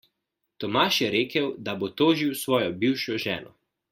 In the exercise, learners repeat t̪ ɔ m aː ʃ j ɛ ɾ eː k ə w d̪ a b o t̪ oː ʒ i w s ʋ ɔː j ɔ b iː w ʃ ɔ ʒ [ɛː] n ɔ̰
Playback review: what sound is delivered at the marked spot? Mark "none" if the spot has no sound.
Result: ɛː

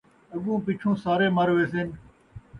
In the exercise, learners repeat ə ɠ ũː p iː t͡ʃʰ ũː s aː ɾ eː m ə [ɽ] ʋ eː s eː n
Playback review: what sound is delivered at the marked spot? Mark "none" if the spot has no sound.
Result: ɾ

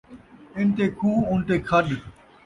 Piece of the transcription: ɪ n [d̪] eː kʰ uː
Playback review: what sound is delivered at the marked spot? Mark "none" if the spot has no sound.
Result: t̪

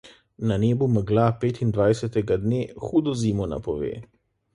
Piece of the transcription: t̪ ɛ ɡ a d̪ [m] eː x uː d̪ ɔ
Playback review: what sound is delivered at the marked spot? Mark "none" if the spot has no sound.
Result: n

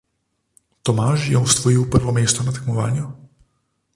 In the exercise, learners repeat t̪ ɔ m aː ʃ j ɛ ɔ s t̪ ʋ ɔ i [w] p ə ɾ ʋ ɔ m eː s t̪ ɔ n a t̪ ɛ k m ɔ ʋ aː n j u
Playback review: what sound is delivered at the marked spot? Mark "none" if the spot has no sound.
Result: w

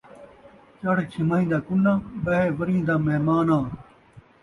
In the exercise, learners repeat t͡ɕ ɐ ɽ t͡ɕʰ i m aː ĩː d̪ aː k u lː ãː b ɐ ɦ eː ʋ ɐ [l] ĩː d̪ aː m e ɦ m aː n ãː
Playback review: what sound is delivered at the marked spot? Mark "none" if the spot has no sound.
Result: ɾ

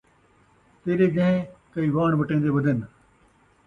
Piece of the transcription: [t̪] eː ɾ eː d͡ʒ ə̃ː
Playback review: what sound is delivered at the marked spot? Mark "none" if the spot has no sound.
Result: t̪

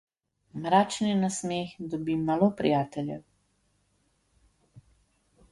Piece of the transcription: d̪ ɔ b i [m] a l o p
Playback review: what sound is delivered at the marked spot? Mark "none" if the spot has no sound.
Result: m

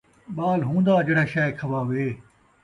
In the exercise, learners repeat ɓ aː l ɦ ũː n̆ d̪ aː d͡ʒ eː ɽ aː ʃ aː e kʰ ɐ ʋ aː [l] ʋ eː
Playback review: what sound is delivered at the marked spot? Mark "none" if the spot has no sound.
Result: none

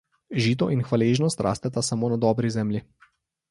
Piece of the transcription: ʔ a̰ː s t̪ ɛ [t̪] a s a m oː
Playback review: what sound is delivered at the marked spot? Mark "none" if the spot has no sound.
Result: t̪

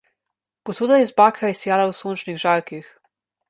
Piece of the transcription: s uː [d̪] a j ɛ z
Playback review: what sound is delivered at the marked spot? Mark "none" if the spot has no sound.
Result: d̪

